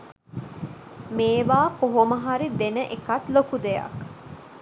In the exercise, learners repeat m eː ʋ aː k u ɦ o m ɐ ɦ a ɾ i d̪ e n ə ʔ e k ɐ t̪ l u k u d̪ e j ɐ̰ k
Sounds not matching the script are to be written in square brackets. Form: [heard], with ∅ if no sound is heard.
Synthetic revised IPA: m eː ʋ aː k [o] ɦ o m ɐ ɦ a ɾ i d̪ e n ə ʔ e k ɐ t̪ l [o] k u d̪ e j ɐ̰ k